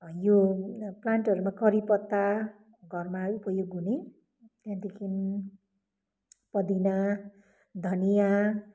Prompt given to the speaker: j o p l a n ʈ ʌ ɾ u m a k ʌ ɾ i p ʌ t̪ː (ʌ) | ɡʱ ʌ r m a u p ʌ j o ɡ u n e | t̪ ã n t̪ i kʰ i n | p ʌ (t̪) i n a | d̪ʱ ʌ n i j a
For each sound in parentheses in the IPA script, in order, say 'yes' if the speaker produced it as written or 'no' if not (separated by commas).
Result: no, no